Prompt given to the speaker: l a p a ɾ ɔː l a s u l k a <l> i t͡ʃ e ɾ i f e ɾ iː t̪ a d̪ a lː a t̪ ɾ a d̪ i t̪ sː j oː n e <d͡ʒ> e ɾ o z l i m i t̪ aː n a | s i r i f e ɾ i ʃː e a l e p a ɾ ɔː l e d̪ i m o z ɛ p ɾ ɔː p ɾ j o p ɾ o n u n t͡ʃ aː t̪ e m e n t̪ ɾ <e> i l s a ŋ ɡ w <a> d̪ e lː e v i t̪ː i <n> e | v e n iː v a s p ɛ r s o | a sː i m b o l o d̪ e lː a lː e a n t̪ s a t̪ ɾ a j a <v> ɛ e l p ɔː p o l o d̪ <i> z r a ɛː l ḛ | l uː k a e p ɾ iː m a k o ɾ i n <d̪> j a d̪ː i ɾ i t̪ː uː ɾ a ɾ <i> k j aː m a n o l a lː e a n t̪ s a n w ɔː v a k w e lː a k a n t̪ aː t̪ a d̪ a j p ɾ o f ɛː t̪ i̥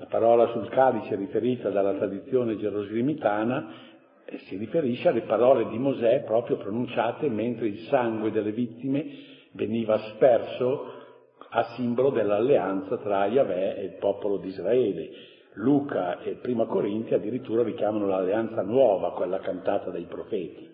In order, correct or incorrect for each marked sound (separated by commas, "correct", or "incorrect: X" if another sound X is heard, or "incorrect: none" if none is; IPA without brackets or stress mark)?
correct, correct, correct, incorrect: e, incorrect: m, correct, correct, incorrect: t̪, correct